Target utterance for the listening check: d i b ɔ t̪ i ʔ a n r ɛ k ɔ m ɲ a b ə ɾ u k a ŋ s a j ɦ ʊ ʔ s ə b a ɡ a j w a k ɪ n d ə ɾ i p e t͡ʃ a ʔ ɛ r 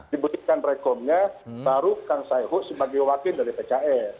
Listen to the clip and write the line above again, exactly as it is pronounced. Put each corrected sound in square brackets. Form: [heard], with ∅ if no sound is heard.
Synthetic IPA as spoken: d i b [u] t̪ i [k] a n r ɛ k ɔ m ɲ a b [a] ɾ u k a ŋ s a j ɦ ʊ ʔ s ə b a ɡ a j w a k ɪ n d [a] ɾ i p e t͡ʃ a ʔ ɛ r